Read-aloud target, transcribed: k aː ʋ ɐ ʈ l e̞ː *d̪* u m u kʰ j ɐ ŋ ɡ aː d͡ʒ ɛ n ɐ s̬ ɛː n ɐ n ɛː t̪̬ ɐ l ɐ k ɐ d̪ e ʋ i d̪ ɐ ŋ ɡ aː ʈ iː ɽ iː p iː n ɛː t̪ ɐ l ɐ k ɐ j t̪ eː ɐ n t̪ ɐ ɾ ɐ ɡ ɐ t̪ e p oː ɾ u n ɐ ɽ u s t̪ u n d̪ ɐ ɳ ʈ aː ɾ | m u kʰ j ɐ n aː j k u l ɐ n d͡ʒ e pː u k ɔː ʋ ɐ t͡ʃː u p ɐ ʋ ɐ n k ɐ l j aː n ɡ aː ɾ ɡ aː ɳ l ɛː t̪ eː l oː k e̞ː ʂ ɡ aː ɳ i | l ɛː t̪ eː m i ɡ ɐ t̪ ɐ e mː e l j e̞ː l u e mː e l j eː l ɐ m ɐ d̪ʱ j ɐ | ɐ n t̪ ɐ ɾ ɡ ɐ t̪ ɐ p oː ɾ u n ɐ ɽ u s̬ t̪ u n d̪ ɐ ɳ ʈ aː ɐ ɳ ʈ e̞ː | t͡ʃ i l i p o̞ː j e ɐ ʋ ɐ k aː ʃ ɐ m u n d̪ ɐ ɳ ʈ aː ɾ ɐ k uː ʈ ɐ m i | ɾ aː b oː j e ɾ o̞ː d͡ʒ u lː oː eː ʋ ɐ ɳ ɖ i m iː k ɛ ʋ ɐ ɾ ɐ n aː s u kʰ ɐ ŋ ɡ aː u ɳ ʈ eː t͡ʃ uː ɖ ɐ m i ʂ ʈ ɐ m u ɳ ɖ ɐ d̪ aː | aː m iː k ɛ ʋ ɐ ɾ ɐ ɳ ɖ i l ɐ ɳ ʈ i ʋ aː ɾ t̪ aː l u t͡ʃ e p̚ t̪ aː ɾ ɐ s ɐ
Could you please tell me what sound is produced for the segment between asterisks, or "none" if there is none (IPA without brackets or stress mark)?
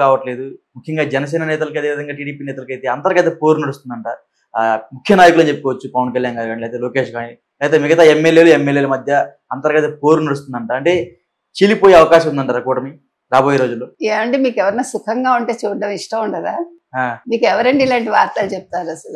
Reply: d̪